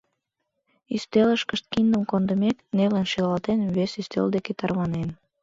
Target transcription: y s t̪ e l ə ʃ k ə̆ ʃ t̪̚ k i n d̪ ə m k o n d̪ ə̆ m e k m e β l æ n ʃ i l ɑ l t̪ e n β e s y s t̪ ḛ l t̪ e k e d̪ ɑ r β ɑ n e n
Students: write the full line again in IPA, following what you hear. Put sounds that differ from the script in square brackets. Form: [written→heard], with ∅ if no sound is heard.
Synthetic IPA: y s t̪ e l ə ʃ k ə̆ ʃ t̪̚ k i n d̪ ə m k o n d̪ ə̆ m e k [m→n] e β l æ n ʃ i l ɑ l t̪ e n β e s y s t̪ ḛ l [t̪→d̪] e k e [d̪→t̪] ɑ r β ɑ n e n